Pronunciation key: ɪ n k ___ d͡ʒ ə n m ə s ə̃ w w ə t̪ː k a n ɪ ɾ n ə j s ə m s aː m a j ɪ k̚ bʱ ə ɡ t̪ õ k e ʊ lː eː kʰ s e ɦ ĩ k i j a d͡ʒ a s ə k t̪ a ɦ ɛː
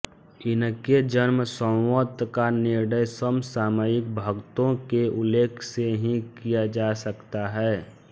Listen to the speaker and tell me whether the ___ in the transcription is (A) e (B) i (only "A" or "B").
A